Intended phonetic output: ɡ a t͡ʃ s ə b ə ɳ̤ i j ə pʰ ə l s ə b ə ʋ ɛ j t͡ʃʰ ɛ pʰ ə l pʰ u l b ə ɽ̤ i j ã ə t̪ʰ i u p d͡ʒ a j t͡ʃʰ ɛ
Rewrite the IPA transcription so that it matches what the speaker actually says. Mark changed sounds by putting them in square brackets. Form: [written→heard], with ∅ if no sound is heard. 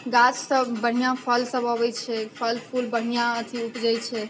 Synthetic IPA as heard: ɡ a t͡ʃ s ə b ə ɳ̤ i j [ə→a] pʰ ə l s ə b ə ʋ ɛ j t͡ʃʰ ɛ pʰ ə l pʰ u l b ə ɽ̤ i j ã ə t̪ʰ i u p d͡ʒ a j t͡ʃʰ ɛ